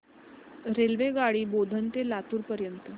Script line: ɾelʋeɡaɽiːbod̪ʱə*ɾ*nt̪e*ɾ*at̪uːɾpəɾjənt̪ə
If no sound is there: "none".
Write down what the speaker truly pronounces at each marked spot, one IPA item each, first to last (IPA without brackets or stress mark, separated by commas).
none, l